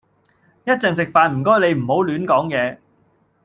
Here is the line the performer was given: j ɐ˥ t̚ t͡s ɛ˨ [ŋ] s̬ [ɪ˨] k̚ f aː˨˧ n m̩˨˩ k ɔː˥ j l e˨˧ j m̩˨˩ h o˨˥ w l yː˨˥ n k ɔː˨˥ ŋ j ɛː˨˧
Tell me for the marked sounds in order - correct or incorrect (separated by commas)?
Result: correct, correct